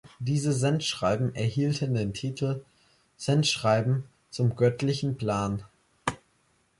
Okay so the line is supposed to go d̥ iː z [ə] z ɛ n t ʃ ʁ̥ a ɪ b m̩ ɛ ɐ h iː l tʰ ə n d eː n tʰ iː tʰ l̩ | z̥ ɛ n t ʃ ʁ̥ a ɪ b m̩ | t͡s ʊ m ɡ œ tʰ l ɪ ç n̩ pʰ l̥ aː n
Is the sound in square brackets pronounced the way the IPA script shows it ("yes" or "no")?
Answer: yes